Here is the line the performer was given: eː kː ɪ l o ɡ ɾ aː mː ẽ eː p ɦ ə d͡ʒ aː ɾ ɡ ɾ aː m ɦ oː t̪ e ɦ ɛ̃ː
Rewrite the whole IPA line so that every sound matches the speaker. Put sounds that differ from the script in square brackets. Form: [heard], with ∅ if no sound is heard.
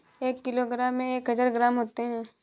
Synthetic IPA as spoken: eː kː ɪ l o ɡ ɾ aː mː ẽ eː [k] ɦ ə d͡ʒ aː ɾ ɡ ɾ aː m ɦ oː t̪ e ɦ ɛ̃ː